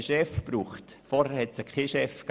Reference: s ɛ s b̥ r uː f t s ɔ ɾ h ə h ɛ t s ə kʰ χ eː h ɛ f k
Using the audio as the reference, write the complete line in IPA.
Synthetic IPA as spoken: ʃ ɛ f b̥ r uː χ t f ɔ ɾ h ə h ɛ t s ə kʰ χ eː ʃ ɛ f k